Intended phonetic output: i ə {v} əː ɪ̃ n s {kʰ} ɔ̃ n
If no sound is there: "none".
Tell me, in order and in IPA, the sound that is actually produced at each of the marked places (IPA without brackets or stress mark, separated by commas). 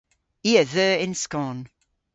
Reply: ð, k